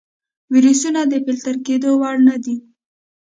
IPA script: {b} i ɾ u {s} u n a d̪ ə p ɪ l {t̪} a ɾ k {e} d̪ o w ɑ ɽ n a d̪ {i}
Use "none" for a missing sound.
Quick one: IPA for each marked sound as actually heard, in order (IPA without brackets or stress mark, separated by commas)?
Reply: w, s, t̪, e, i